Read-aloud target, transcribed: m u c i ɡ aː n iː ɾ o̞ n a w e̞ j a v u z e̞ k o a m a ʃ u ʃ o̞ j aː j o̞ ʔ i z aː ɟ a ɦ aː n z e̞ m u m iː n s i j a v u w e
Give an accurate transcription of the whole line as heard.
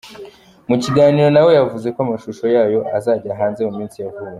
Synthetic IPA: m u c i ɡ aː n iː ɾ o̞ n a w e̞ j a v u z e̞ k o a m a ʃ u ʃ o̞ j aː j o̞ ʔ a z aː ɟ a ɦ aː n z e̞ m u m iː n s i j a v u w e

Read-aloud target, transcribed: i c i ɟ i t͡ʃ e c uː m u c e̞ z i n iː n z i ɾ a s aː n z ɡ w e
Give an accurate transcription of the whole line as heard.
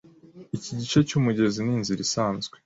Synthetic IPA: i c i ɟ i t͡ʃ e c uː m u ɟ e̞ z i n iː n z i ɾ i s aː n z ɡ w e

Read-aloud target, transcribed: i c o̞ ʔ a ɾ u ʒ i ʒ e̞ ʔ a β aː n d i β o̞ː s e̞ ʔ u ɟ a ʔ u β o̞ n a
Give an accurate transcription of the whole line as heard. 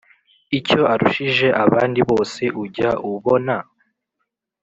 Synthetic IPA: i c o̞ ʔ a ɾ u ʃ i ʒ e̞ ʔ a β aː n d i β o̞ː s e̞ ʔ u ɟ a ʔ u β o̞ n a

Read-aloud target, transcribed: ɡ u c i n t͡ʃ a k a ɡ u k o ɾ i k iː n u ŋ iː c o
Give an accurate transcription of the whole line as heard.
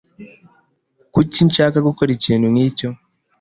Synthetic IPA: k u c i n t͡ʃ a k a ɡ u k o ɾ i c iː n u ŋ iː c o

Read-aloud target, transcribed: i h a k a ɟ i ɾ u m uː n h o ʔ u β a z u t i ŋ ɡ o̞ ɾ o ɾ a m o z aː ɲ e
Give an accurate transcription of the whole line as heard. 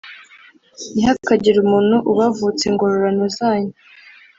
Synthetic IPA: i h a k a ɟ i ɾ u m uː n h u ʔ u β a v u t͡s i ŋ ɡ o̞ ɾ o ɾ a n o z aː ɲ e

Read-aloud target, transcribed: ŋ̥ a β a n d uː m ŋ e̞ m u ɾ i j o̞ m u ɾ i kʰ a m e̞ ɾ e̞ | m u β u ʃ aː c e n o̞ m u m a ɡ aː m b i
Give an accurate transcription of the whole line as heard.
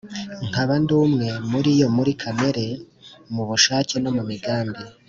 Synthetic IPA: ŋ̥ a β a n d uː m ŋ e̞ m u ɾ i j o̞ m u ɾ i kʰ a m e̞ ɾ e̞ | m u β u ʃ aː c e n o̞ m u m i ɡ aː m b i

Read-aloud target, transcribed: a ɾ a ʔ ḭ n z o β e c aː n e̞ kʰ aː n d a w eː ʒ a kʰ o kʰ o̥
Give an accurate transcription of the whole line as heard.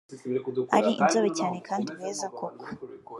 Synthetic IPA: a ɾ i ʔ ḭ n z o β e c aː n e̞ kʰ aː n d i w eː z a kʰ o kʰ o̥

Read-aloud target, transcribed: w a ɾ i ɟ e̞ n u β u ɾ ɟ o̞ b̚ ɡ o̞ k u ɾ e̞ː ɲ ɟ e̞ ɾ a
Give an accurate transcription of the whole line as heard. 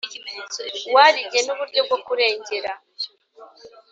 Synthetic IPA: w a ɾ i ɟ e̞ n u β u ɾ ɟ o̞ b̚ ɡ o̞ k u ɾ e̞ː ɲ ɟ e̞ ɾ a

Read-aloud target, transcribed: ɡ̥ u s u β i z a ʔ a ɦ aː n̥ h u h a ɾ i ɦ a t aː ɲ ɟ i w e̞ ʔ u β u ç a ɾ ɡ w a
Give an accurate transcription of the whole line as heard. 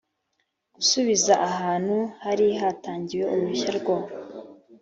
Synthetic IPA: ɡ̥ u s u β i z a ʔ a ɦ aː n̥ h u h a ɾ i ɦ a t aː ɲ ɟ i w e̞ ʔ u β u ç a ɾ ɡ w a

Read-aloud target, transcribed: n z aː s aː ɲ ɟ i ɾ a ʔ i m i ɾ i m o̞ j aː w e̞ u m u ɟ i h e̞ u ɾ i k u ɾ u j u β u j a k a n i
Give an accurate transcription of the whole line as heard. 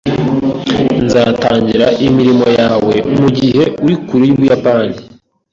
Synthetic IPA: n z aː t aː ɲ ɟ i ɾ a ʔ i m i ɾ i m o̞ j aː w e̞ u m u ɟ i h e̞ u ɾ i k u ɾ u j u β u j a p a n i

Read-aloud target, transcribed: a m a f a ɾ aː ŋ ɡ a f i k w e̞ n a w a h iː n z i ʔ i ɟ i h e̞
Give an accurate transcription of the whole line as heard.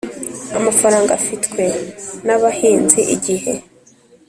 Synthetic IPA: a m a f a ɾ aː ŋ ɡ a f i t w e̞ n a β a h iː n z i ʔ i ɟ i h e̞

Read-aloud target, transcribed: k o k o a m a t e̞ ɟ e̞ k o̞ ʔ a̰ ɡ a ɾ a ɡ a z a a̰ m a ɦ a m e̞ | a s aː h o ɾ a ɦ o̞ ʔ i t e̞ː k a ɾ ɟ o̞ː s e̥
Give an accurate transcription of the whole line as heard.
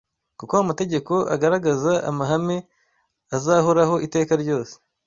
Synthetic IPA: k u k o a m a t e̞ ɟ e̞ k o̞ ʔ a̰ ɡ a ɾ a ɡ a z a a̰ m a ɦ a m e̞ | a z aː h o ɾ a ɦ o̞ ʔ i t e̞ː k a ɾ ɟ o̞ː s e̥

